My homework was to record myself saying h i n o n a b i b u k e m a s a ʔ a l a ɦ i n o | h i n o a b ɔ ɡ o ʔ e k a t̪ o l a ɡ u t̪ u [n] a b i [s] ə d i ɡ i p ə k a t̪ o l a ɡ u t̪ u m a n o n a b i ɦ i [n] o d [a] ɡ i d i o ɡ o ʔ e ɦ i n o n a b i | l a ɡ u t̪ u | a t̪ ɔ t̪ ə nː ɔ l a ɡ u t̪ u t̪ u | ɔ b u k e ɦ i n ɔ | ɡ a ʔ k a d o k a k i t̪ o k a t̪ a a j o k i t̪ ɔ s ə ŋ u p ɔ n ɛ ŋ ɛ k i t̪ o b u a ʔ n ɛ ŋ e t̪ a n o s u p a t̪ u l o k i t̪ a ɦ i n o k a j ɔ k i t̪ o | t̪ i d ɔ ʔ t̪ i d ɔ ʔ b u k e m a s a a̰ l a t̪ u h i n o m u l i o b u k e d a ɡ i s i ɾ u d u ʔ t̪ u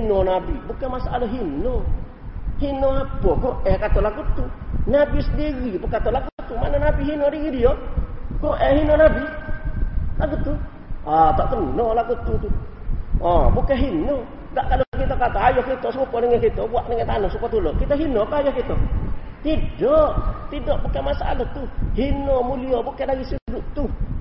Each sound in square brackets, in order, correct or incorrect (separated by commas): correct, correct, correct, incorrect